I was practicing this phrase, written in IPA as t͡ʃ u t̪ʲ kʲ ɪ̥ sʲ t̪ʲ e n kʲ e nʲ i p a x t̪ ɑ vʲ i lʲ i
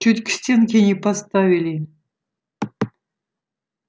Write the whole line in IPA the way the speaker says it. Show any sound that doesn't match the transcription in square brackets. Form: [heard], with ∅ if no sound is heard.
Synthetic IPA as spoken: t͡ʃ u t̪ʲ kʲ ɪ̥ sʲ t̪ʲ e n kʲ e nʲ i p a [s] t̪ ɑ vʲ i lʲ i